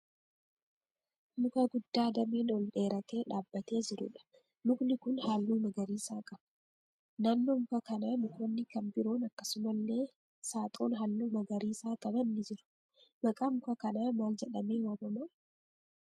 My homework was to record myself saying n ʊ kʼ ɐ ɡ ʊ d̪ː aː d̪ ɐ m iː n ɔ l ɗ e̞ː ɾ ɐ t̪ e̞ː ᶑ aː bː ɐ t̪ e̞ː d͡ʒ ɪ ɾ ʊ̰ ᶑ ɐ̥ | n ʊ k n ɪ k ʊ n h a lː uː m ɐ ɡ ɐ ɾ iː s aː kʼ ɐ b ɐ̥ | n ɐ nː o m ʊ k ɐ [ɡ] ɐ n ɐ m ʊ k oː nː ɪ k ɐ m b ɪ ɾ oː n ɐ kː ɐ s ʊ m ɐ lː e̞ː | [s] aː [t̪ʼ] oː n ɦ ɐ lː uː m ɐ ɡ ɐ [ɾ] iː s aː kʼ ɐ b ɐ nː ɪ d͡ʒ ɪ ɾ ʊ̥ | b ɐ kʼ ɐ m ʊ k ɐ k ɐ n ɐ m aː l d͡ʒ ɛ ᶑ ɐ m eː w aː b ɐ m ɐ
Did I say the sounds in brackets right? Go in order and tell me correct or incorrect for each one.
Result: incorrect: k, correct, correct, correct

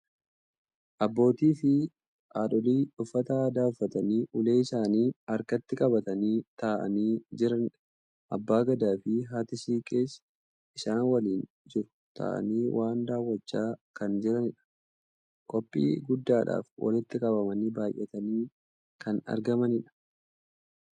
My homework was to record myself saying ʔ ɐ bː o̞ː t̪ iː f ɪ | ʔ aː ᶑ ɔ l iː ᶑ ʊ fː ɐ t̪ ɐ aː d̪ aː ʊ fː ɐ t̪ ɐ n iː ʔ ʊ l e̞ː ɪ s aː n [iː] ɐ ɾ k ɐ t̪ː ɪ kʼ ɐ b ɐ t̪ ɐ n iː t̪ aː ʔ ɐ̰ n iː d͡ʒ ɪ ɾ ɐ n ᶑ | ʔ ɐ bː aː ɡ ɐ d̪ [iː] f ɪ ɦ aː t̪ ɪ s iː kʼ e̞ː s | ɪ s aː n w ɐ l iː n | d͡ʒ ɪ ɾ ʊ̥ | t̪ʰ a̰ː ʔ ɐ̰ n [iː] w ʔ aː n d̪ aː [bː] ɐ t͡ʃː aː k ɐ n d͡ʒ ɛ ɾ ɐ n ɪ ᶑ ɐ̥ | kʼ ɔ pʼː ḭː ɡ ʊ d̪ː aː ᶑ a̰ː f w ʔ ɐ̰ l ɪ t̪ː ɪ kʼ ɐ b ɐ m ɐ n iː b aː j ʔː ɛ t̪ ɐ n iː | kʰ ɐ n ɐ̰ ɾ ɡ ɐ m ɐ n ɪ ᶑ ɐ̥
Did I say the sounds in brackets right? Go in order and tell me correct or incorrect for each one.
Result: correct, incorrect: aː, correct, incorrect: wː

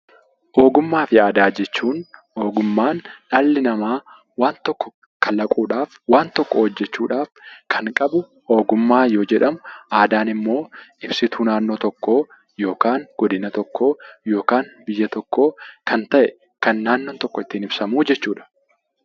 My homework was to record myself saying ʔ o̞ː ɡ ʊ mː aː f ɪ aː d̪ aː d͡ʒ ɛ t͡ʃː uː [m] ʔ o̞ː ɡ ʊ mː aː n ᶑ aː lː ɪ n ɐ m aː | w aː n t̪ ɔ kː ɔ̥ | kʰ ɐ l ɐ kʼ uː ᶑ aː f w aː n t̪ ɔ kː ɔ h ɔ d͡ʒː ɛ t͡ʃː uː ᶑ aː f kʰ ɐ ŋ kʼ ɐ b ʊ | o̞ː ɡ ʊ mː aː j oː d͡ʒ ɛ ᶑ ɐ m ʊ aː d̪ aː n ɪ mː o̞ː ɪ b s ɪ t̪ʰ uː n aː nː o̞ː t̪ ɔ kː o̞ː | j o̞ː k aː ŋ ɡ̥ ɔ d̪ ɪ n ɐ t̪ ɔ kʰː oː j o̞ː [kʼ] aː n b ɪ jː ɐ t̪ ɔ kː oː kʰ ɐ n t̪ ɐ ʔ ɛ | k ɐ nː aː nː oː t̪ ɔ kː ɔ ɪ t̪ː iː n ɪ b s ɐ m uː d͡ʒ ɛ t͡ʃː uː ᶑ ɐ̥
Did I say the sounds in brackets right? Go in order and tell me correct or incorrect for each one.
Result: incorrect: n, incorrect: k

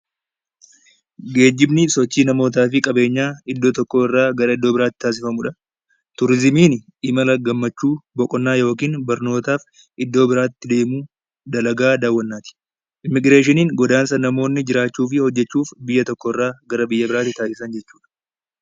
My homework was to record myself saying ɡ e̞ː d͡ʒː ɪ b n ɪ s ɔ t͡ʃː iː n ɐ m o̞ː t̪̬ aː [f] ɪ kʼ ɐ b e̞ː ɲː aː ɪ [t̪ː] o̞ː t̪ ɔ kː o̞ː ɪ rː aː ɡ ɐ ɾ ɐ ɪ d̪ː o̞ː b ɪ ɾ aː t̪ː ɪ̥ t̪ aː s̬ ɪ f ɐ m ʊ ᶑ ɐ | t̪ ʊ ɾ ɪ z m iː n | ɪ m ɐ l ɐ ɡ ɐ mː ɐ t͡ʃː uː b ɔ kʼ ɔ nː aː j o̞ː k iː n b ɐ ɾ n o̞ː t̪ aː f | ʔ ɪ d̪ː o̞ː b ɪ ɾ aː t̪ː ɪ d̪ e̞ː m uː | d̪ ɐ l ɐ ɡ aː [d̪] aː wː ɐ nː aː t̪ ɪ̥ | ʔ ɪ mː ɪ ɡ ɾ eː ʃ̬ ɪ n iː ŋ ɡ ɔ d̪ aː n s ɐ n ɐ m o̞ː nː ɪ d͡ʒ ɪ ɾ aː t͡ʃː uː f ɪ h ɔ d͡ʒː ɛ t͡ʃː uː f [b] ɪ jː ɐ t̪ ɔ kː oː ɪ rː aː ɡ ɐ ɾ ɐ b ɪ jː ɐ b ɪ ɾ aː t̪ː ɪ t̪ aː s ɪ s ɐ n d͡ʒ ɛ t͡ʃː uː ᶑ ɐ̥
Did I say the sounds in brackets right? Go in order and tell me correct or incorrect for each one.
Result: correct, incorrect: d̪ː, correct, correct

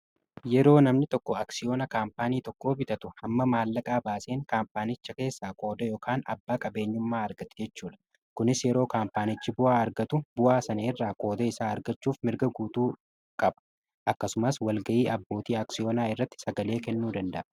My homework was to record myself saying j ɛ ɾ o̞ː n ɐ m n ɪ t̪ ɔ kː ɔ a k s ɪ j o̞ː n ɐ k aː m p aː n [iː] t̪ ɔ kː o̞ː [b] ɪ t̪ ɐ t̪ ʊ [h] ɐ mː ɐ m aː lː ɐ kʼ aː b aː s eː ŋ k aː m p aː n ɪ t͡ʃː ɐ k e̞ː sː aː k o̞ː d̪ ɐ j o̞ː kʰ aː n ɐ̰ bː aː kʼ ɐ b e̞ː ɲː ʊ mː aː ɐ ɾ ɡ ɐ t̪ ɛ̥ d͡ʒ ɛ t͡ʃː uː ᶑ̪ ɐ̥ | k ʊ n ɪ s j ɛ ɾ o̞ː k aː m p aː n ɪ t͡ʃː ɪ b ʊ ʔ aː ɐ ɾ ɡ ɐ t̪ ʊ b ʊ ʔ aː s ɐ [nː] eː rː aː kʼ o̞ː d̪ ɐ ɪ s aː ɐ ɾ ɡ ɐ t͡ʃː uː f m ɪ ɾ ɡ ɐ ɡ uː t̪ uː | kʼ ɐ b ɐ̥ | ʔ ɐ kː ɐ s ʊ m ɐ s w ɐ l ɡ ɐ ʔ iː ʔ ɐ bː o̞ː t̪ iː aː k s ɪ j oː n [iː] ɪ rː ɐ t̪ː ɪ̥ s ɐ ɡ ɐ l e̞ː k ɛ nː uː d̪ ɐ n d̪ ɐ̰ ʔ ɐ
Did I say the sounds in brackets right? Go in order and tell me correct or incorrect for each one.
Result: correct, correct, correct, incorrect: n, incorrect: aː

